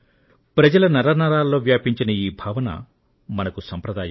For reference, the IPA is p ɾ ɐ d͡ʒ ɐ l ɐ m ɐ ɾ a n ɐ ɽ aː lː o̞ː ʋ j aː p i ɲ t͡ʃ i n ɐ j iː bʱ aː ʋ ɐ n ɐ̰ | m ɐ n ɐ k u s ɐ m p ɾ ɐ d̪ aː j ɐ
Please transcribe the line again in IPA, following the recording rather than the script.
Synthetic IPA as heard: p ɾ ɐ d͡ʒ ɐ l ɐ n ɐ ɾ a n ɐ ɾ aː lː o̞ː ʋ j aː p i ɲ t͡ʃ i n ɐ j iː bʱ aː ʋ ɐ n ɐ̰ | m ɐ n ɐ k u s ɐ m p ɾ ɐ d̪ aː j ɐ